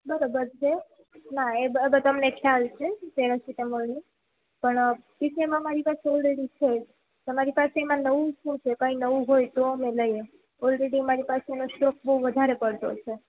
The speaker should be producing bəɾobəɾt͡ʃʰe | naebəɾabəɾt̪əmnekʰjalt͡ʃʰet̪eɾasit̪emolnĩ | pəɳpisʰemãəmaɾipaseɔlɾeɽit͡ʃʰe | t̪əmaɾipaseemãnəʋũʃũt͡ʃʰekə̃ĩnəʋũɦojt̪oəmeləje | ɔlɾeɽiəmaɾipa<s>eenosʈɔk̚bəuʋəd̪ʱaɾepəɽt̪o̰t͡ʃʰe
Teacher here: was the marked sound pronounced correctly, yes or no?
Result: yes